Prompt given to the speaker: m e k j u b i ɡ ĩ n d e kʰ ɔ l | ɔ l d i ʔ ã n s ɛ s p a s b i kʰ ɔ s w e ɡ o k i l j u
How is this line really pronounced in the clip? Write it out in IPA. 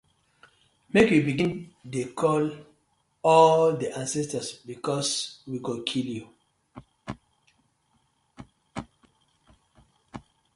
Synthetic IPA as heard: m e k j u b i ɡ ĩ n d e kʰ ɔ l | ɔ l d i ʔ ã n s ɛ s t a s b i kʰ ɔ s w i ɡ o kʰ i l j u